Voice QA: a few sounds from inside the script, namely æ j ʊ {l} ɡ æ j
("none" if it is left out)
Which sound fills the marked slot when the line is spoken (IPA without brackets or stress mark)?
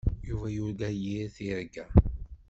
ɾ